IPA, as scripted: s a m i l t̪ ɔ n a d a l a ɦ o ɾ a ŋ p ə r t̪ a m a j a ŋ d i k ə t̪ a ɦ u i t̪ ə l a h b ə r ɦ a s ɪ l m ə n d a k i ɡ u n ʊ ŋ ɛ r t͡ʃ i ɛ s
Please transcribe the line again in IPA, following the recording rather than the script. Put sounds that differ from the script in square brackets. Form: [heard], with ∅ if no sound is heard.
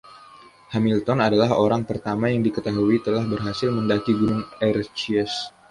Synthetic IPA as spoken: [h] a m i l t̪ ɔ n a d a l a ɦ o ɾ a ŋ p ə r t̪ a m a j a ŋ d i k ə t̪ a ɦ u i t̪ ə l a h b ə r ɦ a s ɪ l m ə n d a k i ɡ u n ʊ ŋ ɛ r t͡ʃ i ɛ s